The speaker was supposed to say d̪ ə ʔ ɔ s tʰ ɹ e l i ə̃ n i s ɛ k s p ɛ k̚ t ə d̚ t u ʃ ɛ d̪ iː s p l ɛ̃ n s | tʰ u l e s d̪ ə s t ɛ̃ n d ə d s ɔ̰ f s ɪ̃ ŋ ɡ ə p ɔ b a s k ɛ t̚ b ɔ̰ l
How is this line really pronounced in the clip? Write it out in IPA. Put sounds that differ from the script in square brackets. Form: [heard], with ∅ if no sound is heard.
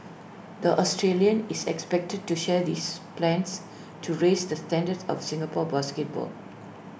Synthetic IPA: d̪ ə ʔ ɔ s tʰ ɹ e l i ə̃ n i s ɛ k s p ɛ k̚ t ə d̚ t u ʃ ɛ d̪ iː s p l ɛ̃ n s | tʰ u [ɹ] e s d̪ ə s t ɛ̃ n d ə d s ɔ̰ f s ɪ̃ ŋ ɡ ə p ɔ b a s k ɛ t̚ b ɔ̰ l